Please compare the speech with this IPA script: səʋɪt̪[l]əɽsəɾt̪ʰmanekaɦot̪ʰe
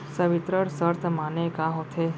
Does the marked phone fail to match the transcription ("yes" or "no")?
yes